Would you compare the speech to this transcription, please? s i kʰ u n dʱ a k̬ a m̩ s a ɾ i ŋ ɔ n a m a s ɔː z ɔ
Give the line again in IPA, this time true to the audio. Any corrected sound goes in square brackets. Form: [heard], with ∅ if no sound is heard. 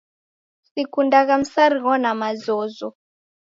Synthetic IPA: s i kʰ u n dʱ a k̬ a m̩ s a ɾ i ŋ ɔ n a m a [z] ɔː z ɔ